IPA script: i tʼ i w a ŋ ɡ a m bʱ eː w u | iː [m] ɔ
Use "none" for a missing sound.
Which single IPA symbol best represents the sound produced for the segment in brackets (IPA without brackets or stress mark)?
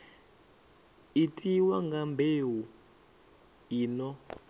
n